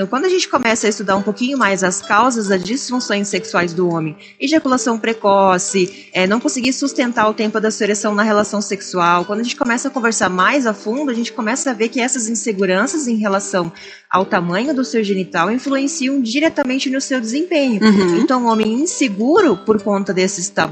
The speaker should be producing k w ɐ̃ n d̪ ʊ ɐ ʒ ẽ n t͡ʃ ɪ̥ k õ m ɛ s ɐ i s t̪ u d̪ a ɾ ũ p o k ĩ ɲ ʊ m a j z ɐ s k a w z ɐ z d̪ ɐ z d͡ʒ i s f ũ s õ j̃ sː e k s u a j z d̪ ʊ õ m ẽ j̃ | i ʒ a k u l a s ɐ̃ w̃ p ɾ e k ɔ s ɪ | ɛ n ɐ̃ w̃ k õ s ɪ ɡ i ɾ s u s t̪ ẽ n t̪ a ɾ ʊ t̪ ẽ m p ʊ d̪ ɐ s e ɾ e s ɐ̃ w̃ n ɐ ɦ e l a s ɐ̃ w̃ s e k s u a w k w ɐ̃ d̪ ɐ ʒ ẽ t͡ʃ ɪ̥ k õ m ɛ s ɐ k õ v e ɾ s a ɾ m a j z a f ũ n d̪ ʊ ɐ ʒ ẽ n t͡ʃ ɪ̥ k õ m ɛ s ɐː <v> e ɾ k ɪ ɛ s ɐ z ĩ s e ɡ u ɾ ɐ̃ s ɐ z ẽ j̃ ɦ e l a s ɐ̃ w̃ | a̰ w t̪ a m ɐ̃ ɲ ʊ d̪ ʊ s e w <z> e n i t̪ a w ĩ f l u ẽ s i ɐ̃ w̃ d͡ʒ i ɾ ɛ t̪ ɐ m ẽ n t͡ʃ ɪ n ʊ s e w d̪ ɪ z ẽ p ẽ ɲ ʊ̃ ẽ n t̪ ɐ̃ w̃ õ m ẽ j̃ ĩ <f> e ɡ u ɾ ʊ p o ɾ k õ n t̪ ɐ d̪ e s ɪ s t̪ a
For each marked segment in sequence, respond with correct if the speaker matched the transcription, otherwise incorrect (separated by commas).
correct, incorrect, incorrect